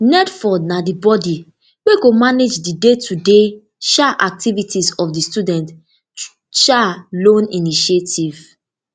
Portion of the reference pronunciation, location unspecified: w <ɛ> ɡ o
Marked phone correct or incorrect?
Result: incorrect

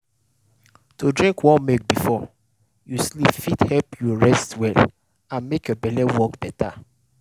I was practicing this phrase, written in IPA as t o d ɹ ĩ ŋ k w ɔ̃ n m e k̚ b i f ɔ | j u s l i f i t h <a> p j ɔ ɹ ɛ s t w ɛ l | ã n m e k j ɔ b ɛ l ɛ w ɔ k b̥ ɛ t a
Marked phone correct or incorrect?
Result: incorrect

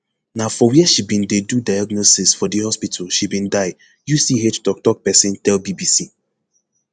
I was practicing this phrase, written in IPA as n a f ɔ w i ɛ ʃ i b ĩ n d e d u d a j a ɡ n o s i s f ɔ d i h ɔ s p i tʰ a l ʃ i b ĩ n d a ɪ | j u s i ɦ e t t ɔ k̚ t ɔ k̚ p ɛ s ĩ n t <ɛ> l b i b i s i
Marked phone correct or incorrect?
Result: correct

